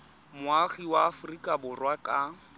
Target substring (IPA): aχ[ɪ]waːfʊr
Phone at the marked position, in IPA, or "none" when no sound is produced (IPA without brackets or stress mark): i